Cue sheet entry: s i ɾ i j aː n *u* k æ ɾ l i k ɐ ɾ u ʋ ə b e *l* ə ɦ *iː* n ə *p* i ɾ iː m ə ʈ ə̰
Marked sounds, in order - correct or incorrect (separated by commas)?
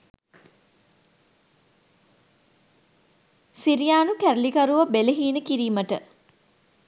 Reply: correct, correct, correct, incorrect